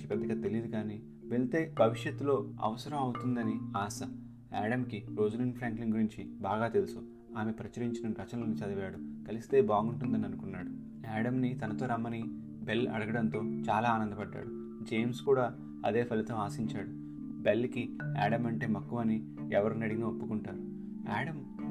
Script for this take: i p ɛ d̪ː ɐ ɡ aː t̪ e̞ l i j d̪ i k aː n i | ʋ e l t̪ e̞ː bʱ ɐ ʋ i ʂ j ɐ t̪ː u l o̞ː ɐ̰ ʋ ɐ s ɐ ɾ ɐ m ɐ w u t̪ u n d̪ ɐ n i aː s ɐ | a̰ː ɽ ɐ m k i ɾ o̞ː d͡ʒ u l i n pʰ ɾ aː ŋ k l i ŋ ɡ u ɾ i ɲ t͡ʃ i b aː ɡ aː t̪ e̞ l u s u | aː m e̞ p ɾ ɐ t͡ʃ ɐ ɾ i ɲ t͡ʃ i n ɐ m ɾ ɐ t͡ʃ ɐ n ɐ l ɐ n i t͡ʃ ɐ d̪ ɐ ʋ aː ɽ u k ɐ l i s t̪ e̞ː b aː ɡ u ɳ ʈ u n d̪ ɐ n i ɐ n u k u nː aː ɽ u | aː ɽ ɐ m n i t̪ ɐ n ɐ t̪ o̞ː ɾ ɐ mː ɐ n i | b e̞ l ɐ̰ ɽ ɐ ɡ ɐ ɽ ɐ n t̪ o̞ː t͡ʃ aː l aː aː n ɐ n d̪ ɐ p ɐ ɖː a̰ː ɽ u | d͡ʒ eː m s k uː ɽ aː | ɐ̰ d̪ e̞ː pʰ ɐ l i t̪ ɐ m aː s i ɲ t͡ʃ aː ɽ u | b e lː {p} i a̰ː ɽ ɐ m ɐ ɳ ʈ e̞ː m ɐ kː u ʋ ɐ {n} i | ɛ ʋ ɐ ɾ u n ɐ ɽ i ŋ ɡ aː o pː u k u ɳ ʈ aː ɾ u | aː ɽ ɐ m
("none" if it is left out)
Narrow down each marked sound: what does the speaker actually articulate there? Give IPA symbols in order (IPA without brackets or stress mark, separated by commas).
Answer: k, n